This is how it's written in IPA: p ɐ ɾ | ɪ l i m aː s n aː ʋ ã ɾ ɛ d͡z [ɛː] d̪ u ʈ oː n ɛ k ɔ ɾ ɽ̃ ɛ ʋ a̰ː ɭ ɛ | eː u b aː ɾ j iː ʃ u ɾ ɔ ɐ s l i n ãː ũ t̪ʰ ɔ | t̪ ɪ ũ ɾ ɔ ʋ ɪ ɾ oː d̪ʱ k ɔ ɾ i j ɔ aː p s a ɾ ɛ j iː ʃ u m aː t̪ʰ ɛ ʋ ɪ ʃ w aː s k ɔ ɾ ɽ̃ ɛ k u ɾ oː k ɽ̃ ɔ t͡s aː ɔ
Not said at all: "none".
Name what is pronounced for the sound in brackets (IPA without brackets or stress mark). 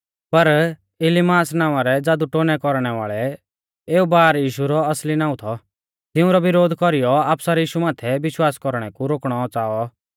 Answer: aː